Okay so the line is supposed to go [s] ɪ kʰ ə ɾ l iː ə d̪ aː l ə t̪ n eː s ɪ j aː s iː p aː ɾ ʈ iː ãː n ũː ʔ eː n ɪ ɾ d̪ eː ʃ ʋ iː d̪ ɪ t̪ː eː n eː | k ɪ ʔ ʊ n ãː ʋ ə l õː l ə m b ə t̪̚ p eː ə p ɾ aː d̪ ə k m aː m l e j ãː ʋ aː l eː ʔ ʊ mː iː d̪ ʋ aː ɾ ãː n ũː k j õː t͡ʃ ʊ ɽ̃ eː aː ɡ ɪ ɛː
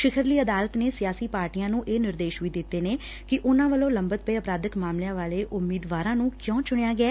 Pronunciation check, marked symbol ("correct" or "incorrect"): incorrect